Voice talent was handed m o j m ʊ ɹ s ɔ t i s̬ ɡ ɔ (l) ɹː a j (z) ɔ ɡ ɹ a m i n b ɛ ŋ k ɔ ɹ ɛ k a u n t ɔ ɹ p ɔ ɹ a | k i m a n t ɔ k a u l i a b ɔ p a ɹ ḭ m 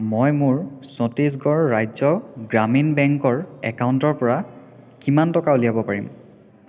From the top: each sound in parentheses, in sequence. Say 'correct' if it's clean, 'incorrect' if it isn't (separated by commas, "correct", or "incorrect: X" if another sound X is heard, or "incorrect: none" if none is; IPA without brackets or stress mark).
incorrect: none, correct